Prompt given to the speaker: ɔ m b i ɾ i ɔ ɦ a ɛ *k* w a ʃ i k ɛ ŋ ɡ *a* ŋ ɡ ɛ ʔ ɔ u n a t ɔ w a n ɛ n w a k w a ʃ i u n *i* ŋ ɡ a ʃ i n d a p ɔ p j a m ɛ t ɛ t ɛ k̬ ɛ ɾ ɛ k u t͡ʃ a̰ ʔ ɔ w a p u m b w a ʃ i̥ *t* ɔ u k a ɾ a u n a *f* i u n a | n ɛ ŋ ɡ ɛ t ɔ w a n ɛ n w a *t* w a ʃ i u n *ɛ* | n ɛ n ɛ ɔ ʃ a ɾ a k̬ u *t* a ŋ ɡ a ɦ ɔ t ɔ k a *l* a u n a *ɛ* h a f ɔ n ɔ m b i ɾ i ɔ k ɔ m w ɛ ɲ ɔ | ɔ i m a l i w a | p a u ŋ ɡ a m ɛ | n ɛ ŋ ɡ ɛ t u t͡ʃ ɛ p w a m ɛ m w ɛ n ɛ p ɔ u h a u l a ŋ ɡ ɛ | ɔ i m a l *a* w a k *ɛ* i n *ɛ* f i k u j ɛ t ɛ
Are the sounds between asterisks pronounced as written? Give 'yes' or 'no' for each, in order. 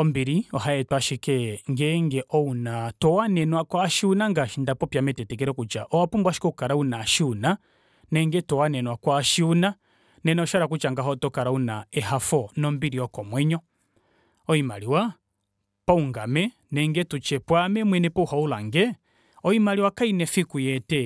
no, no, no, no, no, no, no, no, no, yes, no, no, yes

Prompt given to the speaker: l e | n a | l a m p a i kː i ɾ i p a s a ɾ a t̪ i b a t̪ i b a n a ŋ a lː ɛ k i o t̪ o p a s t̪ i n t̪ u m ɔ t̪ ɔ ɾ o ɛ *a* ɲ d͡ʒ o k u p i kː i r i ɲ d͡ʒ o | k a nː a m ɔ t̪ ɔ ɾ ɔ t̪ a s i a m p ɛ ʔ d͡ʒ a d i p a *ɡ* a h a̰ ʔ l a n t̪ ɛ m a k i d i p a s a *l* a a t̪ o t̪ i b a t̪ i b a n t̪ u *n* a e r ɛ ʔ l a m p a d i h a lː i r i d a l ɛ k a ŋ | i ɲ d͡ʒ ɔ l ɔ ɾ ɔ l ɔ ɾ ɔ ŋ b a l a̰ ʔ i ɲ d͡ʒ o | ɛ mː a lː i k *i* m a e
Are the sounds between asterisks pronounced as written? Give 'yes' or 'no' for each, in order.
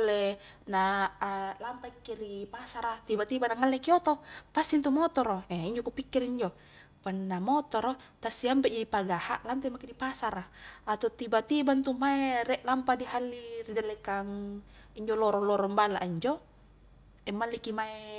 no, yes, no, no, yes

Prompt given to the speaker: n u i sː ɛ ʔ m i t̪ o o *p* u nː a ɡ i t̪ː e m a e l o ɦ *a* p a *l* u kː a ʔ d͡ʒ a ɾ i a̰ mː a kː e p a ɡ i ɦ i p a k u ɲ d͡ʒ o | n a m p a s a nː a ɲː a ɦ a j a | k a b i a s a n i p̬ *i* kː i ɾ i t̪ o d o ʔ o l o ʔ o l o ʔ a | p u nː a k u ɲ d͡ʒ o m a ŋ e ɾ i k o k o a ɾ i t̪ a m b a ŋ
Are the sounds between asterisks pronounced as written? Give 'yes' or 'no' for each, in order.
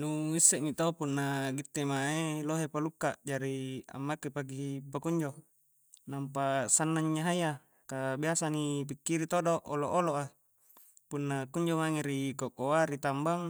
yes, no, yes, yes

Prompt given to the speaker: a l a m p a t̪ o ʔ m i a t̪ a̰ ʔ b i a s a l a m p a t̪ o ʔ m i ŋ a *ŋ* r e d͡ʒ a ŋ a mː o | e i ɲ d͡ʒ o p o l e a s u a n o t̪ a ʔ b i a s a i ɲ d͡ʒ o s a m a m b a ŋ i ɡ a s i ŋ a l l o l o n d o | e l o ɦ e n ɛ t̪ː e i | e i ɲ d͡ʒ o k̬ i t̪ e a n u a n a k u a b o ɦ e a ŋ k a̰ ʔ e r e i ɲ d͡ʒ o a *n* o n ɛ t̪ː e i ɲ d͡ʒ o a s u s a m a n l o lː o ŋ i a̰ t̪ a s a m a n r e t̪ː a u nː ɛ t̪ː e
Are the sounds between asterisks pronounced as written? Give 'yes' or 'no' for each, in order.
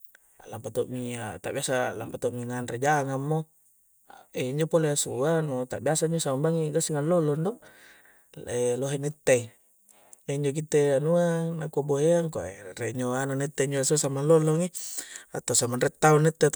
no, yes

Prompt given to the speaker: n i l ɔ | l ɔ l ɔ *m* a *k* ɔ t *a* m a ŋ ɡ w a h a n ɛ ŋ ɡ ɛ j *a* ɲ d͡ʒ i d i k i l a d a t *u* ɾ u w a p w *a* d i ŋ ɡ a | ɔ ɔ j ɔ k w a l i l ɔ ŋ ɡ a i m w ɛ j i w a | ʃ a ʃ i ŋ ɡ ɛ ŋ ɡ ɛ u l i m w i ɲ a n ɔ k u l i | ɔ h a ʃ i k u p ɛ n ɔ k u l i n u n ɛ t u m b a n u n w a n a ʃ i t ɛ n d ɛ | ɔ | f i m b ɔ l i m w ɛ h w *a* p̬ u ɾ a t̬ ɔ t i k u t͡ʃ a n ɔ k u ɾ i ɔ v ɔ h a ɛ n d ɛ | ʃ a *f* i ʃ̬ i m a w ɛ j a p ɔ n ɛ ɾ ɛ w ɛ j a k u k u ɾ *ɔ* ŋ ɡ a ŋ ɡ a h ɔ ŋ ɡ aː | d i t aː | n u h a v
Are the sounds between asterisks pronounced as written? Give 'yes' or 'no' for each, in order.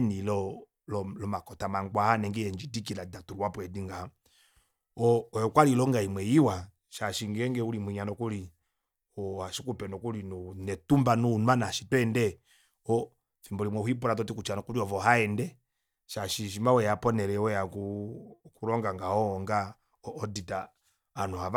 yes, yes, yes, no, yes, no, no, no, yes

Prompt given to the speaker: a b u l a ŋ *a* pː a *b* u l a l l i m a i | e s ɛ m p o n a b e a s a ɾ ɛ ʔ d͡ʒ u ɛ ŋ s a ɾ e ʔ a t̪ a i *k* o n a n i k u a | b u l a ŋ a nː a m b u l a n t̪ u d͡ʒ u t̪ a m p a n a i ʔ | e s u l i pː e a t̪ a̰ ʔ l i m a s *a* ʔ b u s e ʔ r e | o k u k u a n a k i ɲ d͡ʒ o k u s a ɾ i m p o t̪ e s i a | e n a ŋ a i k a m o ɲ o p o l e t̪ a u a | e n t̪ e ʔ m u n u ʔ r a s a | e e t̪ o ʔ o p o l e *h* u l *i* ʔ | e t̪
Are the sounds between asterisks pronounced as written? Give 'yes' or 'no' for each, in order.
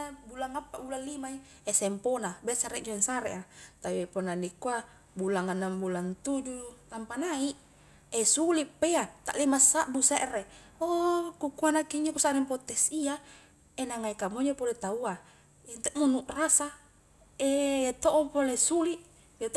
yes, yes, no, yes, no, yes

